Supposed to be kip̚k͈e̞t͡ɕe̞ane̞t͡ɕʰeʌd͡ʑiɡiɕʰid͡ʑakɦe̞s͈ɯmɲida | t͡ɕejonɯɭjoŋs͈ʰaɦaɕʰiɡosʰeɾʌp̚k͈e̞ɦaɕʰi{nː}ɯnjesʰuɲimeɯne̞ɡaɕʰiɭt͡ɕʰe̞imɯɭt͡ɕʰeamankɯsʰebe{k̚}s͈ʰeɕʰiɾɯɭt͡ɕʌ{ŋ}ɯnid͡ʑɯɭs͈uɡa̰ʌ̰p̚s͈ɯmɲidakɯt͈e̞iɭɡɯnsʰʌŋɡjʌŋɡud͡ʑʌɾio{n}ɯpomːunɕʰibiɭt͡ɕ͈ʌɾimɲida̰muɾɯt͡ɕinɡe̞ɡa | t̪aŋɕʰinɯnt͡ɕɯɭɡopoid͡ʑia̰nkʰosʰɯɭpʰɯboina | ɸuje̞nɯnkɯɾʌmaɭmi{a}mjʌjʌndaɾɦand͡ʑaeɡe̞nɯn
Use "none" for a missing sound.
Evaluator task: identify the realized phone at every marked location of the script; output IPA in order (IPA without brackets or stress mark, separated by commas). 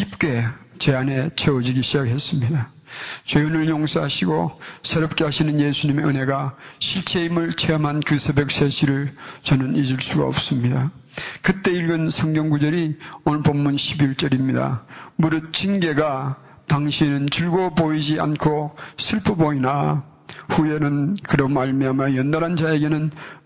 n, k̚, n, n, a